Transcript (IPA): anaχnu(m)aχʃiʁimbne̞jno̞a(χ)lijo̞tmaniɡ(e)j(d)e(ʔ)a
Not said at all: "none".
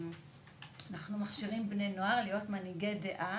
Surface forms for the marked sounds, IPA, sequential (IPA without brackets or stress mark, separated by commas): m, ʁ, e, d, ʔ